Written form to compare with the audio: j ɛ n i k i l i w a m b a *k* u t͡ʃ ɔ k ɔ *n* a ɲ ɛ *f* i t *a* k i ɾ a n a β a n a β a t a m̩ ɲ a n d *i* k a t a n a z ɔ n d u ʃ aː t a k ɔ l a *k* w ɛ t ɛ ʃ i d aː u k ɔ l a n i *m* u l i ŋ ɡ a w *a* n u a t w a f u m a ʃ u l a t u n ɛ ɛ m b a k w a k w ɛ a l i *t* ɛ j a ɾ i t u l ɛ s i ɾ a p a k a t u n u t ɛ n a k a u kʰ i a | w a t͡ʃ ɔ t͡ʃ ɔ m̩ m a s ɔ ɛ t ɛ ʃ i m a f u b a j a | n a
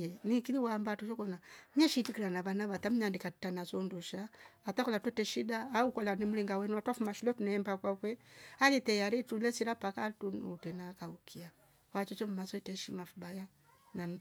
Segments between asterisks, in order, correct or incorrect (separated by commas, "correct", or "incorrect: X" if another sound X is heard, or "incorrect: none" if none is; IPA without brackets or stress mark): incorrect: t, correct, incorrect: ʃ, incorrect: i, correct, incorrect: t, correct, incorrect: ɛ, correct